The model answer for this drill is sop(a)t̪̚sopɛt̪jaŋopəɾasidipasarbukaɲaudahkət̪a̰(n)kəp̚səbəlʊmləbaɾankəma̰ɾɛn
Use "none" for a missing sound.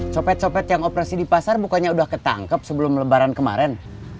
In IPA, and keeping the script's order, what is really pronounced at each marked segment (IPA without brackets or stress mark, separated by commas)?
ɛ, ŋ